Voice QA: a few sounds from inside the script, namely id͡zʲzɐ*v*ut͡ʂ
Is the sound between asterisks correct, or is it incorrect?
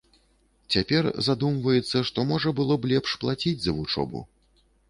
correct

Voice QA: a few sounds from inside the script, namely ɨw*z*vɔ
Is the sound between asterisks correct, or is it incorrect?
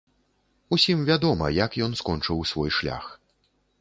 incorrect: s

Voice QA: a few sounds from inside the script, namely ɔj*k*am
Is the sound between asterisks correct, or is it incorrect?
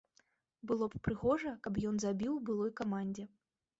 correct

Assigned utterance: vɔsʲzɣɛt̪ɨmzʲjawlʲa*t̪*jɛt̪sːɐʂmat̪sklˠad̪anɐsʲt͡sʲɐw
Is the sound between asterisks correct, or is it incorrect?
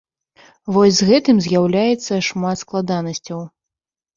incorrect: none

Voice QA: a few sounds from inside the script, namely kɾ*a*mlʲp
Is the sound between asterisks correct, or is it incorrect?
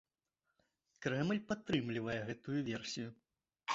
incorrect: ɛ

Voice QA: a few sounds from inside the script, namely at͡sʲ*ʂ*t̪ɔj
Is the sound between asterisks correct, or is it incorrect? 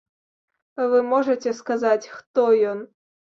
incorrect: x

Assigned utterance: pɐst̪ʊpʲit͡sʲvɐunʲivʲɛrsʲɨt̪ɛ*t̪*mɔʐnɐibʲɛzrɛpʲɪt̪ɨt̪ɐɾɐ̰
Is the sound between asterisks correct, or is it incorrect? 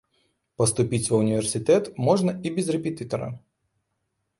correct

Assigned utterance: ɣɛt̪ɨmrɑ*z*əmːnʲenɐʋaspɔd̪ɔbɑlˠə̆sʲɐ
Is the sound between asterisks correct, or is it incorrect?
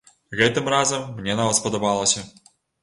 correct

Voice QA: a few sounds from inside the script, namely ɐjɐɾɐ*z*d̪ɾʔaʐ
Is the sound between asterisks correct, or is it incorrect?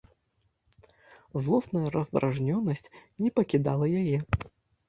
correct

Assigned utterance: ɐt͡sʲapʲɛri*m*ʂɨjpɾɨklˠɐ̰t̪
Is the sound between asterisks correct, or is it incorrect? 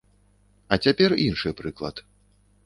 incorrect: n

